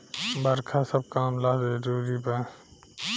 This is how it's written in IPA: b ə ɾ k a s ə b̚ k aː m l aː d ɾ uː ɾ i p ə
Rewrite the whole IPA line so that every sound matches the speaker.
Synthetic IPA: b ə ɾ kʰ a s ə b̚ k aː m l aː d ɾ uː ɾ i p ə